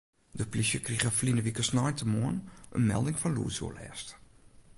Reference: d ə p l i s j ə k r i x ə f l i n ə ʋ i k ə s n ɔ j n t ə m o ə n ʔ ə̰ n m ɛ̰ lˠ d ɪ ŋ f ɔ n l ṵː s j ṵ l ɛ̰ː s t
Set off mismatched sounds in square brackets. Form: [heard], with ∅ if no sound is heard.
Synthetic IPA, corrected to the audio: d ə p l i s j ə k r i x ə f l i n ə ʋ i k ə s n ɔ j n t ə m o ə n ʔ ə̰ n m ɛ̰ lˠ d ɪ ŋ f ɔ n l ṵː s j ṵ l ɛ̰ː s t